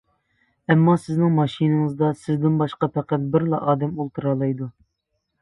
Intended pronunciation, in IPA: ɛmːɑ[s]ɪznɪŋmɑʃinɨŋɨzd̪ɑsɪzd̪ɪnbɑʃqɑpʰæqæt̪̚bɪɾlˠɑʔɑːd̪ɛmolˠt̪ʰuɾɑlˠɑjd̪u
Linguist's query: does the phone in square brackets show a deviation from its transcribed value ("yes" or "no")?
no